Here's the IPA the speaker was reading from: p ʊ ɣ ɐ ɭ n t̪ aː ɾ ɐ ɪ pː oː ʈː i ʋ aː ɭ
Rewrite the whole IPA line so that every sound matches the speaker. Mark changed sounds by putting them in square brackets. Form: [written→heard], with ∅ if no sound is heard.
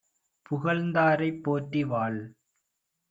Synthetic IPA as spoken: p ʊ ɣ ɐ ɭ n [t̪→d̪] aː ɾ ɐ ɪ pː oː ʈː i ʋ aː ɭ